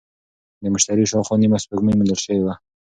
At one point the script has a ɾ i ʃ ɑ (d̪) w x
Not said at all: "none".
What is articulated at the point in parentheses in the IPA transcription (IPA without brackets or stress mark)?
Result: none